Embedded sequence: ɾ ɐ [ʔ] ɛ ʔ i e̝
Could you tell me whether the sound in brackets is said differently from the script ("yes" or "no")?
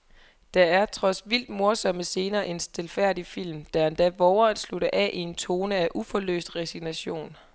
no